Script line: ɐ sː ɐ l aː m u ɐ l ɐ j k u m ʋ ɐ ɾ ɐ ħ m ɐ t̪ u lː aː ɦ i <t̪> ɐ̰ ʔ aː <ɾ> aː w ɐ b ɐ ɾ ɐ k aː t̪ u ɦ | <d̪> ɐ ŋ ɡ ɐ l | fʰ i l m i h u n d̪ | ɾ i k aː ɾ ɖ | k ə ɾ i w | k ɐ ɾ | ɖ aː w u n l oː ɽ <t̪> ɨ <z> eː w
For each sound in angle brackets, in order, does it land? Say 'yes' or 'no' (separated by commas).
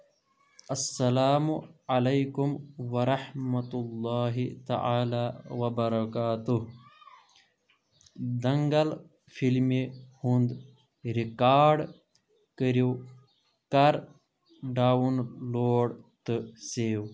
yes, no, yes, yes, no